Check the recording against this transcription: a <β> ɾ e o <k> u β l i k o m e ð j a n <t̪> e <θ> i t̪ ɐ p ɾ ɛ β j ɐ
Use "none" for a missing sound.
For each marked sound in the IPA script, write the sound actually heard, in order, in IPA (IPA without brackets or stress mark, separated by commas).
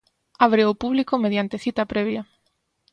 β, p, t̪, θ